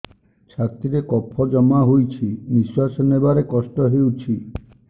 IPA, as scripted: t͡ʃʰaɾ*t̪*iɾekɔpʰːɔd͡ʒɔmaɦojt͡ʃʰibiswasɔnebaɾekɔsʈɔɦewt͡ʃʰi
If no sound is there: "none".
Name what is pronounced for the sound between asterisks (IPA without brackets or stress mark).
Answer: t̪